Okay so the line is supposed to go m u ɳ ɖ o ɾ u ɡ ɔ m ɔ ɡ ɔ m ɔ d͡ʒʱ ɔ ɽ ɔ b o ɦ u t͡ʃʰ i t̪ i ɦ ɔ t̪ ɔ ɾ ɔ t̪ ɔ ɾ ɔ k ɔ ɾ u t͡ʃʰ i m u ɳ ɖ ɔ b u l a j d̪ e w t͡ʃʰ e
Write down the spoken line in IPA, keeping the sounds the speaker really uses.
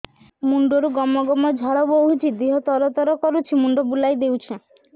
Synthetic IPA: m u ɳ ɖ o ɾ u ɡ ɔ m ɔ ɡ ɔ m ɔ d͡ʒʱ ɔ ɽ ɔ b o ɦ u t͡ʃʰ i d̪ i ɦ ɔ t̪ ɔ ɾ ɔ t̪ ɔ ɾ ɔ k ɔ ɾ u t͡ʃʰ i m u ɳ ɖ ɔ b u l a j d̪ e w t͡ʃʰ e